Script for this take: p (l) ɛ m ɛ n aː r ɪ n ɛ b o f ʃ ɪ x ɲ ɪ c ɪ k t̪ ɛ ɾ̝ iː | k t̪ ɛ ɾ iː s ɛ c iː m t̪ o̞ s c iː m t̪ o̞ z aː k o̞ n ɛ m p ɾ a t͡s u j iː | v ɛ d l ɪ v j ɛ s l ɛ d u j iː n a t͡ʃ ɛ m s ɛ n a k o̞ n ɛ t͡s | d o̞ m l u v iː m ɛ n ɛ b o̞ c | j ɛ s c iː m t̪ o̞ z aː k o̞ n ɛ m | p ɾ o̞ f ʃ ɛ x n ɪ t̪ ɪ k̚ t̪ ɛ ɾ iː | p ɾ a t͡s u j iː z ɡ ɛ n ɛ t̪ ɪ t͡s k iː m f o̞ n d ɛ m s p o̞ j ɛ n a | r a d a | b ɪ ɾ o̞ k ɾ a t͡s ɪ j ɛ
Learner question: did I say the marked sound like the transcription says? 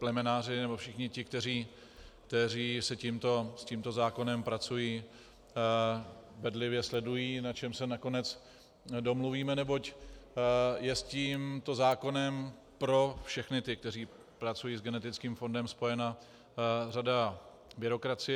yes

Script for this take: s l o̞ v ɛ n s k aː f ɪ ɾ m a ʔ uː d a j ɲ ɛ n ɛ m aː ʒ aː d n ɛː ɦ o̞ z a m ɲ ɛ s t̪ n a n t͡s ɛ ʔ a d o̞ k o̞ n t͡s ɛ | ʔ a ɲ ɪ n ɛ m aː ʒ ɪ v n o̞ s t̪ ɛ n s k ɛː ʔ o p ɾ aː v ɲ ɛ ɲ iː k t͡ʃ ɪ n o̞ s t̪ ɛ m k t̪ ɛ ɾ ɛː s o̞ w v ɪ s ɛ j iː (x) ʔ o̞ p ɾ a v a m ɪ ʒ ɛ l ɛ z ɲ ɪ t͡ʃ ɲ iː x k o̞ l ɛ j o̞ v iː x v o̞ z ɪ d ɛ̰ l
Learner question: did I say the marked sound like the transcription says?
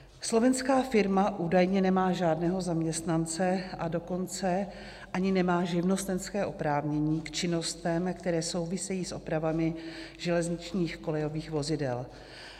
no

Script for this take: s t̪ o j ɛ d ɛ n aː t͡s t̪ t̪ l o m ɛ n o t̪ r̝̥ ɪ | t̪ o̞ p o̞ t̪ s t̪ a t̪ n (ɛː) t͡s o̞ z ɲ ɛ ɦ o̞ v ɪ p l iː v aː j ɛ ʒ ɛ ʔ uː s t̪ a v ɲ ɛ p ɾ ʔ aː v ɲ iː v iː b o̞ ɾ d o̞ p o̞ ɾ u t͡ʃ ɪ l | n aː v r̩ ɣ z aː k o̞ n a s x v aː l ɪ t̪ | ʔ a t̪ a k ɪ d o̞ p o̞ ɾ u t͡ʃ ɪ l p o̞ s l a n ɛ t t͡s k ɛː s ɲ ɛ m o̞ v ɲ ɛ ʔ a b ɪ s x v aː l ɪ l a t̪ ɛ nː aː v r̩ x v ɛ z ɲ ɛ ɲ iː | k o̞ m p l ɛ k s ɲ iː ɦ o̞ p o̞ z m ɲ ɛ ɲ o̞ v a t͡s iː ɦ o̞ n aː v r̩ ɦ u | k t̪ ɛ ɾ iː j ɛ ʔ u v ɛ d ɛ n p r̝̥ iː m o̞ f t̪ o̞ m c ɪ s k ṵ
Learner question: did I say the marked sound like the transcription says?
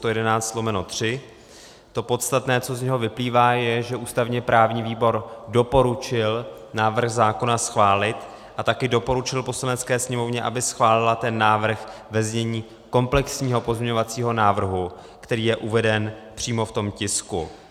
yes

